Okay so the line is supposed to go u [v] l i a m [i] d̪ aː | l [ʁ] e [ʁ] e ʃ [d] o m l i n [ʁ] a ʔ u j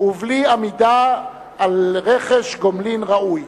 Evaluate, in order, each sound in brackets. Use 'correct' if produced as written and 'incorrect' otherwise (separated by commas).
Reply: correct, correct, correct, incorrect, incorrect, correct